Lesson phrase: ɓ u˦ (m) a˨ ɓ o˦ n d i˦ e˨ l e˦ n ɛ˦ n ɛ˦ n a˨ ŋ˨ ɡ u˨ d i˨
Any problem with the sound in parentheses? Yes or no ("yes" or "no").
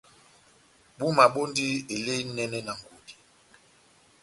no